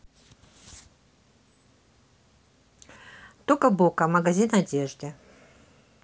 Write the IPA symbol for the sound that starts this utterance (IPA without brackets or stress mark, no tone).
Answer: t̪